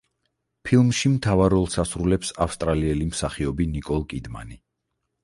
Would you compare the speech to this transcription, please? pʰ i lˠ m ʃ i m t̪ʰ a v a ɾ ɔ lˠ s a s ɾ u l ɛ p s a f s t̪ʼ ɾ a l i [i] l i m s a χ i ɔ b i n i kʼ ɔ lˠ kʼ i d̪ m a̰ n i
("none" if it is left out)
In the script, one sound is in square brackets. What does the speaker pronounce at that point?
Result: ɛ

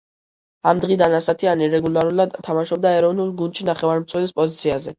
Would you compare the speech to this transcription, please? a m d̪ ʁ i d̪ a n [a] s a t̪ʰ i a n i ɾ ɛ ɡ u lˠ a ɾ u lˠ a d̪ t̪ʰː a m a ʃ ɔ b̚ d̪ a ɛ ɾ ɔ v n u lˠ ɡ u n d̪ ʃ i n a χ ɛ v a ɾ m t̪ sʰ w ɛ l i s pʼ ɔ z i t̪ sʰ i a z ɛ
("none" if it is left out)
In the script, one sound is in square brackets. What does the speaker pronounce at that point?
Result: a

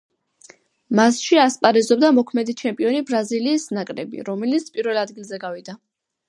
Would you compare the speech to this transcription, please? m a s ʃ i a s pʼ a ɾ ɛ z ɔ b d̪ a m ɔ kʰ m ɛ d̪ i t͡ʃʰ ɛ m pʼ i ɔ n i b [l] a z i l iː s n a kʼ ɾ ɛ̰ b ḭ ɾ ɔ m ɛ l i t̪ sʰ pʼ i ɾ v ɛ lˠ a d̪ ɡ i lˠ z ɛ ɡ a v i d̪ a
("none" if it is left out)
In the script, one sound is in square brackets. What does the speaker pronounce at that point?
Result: ɾ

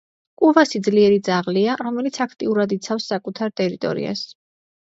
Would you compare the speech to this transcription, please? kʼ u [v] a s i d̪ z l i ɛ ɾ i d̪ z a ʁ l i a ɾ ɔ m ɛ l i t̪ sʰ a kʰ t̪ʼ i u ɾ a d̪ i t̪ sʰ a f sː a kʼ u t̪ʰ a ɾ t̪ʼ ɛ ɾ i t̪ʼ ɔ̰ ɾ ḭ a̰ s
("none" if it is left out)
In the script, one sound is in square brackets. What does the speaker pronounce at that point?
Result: v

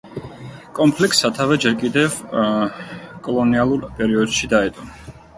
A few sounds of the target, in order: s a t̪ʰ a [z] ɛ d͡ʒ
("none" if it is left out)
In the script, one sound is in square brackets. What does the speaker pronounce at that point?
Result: v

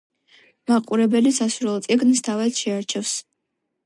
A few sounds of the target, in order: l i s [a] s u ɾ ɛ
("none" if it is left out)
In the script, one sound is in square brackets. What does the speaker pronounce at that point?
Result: a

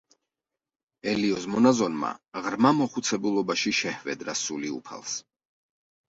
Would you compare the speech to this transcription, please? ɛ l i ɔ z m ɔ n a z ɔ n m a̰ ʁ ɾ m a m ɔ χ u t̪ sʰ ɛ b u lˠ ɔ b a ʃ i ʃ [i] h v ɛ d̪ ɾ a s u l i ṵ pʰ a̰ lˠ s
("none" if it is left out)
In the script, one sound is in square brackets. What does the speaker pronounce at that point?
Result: ɛ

